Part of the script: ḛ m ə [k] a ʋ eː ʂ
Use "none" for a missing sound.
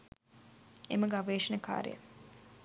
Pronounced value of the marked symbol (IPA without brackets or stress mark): ɡ